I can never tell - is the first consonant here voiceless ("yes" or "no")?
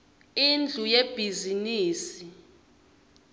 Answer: no